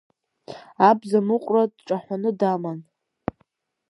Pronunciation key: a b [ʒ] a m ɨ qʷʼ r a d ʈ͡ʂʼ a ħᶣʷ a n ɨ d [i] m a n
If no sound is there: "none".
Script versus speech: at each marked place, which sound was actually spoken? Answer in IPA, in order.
z, a

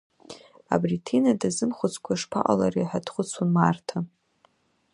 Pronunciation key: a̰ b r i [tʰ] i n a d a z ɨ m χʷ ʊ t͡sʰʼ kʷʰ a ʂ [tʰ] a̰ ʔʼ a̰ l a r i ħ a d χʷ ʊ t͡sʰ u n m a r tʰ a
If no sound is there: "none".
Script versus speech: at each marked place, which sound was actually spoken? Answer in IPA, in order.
tʰ, pʰ

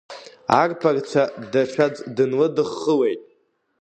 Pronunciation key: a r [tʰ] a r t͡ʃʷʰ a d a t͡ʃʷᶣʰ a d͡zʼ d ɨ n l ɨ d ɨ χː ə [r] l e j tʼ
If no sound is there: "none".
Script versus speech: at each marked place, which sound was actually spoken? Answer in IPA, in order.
pʰ, none

